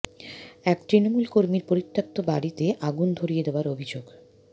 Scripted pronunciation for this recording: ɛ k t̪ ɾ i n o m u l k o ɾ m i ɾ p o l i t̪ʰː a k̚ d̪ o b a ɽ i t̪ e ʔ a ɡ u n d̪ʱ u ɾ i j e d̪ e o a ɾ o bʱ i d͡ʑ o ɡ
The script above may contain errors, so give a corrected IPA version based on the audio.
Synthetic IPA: ɛ k t̪ ɾ i n o m u l k o ɾ m i ɾ p o ɾ i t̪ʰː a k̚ t̪ o b a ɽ i t̪ e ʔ a ɡ u n d̪ʱ o ɾ i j e d̪ e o a ɾ o bʱ i d͡ʑ o ɡ